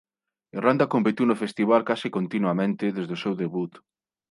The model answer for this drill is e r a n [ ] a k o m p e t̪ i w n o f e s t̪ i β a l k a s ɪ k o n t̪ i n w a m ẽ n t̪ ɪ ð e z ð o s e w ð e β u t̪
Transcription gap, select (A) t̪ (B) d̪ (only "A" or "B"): B